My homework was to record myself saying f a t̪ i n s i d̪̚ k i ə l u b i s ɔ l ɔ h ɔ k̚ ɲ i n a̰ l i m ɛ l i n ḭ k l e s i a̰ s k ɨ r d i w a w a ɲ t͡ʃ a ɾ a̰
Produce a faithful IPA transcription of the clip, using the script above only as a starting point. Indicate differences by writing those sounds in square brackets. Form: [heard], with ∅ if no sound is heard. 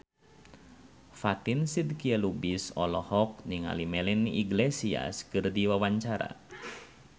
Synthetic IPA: f a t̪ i n s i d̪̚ k i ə l u b i s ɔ l ɔ h ɔ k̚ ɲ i [ŋ] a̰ l i m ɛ l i n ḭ [ɡ] l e s i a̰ s k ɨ r d i w a w a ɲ t͡ʃ a ɾ a̰